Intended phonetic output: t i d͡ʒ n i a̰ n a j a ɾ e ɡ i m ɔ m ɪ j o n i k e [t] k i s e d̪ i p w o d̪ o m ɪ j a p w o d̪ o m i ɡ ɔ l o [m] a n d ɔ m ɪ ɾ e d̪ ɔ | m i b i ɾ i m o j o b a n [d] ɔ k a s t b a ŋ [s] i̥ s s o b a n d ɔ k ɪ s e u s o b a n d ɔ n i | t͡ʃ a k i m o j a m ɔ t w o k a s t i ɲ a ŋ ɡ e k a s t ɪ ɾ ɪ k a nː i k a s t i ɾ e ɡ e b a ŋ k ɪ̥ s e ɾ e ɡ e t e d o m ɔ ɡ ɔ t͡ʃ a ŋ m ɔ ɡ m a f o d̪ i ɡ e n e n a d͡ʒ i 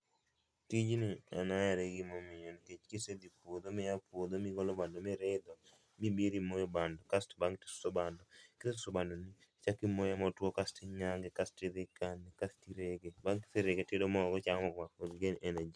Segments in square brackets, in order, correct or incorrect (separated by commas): incorrect, incorrect, correct, incorrect